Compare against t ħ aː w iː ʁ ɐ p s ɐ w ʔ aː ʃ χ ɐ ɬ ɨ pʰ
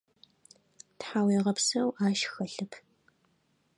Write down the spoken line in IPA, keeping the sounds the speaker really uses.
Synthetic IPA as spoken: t ħ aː w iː ʁ ɐ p s ɐ w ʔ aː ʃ x ɐ ɬ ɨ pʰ